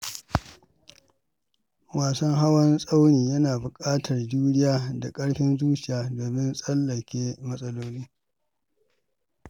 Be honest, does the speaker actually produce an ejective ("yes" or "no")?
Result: yes